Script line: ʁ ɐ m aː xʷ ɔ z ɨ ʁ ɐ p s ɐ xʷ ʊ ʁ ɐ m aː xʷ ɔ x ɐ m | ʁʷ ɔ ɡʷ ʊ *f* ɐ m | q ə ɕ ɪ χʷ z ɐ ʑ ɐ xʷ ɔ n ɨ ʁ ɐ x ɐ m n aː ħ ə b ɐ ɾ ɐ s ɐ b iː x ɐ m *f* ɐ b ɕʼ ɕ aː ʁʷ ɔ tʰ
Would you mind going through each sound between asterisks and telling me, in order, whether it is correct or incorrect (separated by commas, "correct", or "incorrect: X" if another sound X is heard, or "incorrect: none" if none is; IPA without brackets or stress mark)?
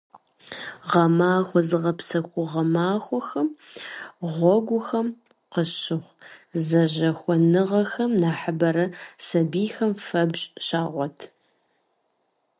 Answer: incorrect: x, correct